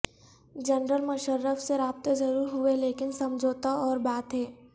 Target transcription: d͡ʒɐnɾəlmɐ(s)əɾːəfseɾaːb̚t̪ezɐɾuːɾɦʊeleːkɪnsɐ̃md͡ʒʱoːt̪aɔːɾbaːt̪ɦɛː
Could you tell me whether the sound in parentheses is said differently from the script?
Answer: yes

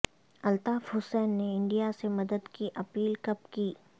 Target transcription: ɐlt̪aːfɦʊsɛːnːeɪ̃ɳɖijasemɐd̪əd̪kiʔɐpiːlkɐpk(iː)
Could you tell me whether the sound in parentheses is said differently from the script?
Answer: no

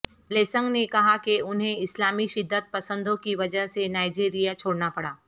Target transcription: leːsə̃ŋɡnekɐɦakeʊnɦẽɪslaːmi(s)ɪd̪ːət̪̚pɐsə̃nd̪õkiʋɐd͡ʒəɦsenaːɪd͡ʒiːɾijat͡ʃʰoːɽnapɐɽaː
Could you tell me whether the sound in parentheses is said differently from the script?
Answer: yes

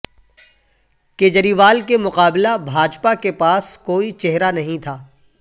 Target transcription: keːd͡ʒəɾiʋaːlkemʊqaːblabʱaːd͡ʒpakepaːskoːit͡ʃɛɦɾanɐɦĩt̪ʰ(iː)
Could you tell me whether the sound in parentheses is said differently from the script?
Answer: yes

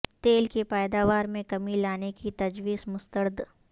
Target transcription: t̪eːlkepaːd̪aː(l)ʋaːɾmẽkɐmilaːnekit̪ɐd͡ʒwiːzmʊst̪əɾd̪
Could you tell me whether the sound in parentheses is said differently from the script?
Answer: yes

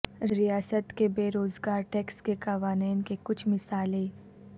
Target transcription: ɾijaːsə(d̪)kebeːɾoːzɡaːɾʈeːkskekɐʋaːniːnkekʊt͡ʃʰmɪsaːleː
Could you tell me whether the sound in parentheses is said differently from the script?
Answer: yes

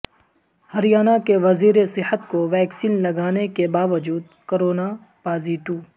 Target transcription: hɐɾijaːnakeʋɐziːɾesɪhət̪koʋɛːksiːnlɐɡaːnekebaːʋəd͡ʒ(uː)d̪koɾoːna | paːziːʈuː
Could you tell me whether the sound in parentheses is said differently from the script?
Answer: no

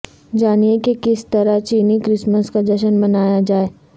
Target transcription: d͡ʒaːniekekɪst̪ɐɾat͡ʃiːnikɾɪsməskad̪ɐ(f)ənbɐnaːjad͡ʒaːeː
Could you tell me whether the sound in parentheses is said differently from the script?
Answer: yes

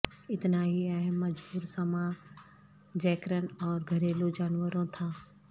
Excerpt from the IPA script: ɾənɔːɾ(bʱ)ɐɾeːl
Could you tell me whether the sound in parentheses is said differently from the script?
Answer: yes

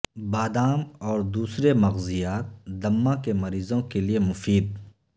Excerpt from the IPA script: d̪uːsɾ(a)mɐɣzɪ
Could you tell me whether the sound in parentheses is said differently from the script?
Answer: yes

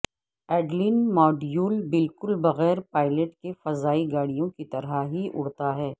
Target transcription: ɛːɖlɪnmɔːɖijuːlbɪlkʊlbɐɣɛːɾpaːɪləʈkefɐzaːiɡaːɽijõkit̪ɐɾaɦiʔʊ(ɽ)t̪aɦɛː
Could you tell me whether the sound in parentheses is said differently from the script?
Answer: no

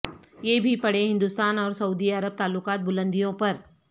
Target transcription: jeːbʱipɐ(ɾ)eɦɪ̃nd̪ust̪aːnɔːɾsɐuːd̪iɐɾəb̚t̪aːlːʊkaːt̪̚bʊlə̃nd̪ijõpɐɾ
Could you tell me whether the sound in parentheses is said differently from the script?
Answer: yes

